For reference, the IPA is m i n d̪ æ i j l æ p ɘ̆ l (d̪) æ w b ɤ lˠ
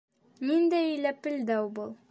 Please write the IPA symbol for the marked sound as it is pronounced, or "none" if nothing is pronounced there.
d̪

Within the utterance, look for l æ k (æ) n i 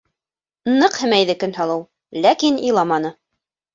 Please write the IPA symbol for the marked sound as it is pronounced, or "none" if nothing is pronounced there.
i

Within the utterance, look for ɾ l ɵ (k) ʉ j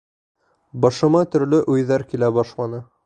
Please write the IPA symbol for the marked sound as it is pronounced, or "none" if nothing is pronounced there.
ʔ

